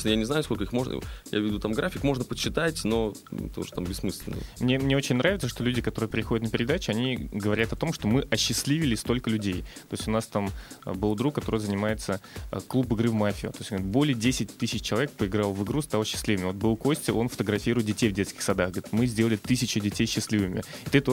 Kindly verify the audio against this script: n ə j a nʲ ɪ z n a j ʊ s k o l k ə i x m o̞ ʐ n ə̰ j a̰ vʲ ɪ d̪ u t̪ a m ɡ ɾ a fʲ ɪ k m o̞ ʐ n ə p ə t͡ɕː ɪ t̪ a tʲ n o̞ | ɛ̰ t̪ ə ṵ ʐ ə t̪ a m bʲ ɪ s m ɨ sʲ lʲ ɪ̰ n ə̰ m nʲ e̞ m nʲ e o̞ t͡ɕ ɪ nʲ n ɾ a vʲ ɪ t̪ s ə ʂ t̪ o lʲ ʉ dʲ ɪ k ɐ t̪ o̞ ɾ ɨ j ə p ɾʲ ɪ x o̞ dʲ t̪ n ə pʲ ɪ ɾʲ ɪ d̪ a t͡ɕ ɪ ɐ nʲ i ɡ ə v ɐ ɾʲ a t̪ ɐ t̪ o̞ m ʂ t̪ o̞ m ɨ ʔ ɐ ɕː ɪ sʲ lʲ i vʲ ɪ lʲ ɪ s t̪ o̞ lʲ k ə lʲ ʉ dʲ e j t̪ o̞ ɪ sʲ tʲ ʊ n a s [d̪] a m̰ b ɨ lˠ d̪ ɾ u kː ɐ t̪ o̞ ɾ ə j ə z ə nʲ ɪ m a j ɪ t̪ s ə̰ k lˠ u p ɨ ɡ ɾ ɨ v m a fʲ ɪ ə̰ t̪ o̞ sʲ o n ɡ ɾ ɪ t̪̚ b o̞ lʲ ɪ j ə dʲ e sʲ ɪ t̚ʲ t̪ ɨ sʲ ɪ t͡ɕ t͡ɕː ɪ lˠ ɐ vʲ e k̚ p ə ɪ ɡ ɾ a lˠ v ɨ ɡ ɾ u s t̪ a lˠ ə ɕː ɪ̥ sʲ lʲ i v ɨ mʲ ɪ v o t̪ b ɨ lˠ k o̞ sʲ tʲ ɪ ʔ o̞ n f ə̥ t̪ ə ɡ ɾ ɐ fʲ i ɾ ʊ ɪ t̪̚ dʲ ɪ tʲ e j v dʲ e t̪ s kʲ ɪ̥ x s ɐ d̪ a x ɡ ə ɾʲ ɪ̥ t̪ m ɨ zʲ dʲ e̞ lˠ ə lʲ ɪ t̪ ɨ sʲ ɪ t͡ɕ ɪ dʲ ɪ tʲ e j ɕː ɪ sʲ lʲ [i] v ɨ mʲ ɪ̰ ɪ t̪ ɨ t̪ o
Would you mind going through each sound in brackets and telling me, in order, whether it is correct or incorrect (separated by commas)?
incorrect, correct